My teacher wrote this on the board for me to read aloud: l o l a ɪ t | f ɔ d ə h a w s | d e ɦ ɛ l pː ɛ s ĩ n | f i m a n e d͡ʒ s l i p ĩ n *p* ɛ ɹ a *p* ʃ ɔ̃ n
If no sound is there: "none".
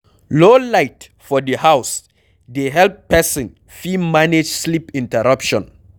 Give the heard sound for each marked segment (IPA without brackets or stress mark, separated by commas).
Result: t, p